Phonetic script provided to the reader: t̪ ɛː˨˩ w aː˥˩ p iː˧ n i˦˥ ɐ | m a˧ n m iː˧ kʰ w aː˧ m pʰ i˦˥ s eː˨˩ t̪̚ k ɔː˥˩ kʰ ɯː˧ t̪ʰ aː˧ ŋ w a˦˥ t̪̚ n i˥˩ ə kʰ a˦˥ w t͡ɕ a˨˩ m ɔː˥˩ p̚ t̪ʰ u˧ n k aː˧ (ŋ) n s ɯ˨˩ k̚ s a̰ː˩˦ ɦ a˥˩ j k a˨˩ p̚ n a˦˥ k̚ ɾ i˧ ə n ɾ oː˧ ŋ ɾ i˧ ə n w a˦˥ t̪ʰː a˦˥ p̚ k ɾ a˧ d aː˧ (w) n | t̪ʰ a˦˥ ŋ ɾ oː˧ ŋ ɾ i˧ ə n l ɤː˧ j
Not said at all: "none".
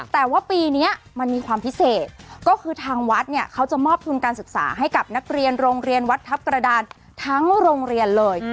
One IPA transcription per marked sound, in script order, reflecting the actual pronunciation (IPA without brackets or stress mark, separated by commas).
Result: none, none